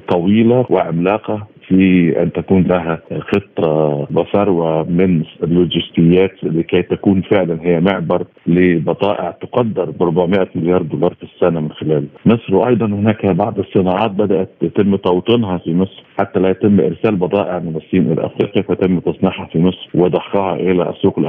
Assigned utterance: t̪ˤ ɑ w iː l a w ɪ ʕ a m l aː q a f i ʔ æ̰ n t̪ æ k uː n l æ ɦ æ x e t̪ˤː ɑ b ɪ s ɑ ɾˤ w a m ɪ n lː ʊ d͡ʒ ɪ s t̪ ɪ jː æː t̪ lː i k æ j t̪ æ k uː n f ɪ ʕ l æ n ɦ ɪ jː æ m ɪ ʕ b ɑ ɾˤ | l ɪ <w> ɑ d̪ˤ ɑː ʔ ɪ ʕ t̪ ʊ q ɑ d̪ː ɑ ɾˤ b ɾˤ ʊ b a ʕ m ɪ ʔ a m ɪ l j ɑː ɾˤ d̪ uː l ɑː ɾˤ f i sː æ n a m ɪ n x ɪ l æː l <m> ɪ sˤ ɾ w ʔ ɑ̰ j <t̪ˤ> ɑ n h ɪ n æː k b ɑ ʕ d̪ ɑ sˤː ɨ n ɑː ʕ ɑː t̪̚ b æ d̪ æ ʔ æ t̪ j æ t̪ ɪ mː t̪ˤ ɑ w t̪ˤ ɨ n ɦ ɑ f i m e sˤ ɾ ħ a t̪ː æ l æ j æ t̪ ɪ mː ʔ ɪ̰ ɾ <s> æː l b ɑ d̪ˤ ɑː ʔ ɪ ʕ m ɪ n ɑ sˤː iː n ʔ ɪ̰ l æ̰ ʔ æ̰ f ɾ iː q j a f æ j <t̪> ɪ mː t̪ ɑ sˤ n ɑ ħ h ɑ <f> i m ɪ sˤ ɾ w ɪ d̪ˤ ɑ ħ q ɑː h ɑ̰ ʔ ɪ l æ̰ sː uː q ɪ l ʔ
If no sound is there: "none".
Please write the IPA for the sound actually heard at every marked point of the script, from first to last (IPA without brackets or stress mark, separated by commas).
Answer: b, m, d̪ˤ, s, t̪, f